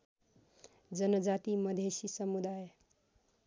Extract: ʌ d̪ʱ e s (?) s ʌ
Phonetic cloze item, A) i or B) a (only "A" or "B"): A